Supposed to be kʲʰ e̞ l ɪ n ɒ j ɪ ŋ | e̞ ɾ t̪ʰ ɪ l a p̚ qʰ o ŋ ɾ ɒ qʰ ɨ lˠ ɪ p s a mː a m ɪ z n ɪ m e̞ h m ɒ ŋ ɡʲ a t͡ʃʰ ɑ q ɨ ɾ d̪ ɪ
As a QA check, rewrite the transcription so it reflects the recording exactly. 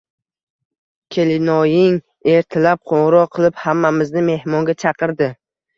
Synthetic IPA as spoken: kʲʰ e̞ l ɪ n ɒ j ɪ ŋ | e̞ ɾ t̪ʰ ɪ l a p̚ qʰ o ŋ ɾ ɒ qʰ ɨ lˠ ɪ p h a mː a m ɪ z n ɪ m e̞ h m ɒ ŋ ɡʲ a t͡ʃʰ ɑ q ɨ ɾ d̪ ɪ